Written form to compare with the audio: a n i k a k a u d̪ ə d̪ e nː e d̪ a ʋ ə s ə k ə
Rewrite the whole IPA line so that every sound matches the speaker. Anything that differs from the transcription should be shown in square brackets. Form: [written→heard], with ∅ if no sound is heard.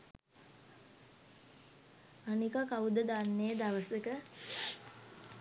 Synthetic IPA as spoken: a n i k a k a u d̪ ə d̪ [e→a] nː e d̪ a ʋ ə s ə k ə